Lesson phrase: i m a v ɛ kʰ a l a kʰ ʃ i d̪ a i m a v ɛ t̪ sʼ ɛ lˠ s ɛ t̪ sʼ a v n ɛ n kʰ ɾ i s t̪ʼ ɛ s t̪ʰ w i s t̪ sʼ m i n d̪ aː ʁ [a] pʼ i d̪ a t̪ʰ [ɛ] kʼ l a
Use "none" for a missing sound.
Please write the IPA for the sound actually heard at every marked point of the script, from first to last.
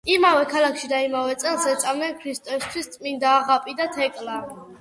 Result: a, ɛ

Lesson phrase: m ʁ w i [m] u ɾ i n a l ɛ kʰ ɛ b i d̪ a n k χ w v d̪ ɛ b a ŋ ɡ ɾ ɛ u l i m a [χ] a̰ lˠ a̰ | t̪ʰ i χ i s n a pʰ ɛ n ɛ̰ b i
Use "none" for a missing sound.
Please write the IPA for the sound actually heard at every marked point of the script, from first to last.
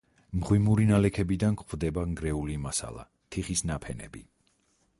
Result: m, s

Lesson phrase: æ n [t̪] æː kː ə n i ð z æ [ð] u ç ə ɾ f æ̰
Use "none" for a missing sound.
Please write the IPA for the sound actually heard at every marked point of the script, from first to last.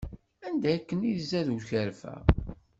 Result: d̪, ð

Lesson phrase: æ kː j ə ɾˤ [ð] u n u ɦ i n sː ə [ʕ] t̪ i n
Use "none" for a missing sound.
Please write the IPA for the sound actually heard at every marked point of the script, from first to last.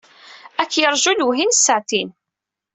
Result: ʒ, ʕ

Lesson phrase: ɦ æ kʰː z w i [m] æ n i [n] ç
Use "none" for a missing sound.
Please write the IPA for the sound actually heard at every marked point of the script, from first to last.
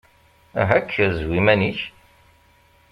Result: m, none

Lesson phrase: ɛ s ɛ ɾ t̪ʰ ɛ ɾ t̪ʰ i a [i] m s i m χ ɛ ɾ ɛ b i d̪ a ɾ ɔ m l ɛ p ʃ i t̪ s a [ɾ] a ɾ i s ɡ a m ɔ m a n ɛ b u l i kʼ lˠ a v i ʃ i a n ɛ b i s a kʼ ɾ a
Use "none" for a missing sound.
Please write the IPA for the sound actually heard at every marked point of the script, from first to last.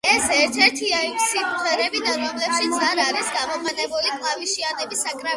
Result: i, ɾ

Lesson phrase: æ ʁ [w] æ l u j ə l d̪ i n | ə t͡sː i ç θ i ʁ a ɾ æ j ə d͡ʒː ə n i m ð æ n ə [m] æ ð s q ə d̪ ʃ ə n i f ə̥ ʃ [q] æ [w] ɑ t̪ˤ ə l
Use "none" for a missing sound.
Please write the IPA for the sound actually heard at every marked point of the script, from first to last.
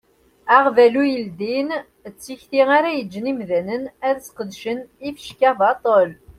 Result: v, n, k, v

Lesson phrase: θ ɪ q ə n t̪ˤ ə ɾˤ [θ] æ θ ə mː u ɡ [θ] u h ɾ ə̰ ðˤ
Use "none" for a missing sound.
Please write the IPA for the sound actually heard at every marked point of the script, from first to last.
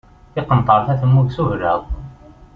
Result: θ, s

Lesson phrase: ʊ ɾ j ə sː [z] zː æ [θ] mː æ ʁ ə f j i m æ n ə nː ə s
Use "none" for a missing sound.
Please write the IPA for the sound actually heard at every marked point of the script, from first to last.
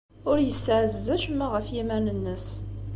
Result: ʕ, ʃ

